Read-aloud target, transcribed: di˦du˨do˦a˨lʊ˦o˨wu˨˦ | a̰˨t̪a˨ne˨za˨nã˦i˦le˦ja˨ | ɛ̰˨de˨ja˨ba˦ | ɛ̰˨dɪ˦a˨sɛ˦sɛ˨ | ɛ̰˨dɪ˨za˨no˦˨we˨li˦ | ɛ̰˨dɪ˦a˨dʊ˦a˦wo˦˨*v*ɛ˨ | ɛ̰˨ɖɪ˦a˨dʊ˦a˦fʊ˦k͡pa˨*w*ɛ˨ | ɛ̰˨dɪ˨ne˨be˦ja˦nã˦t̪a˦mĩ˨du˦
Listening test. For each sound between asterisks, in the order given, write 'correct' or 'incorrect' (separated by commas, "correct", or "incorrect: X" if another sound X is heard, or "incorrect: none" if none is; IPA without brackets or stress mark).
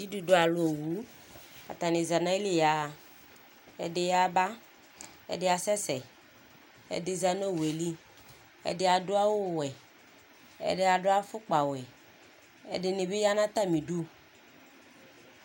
incorrect: w, correct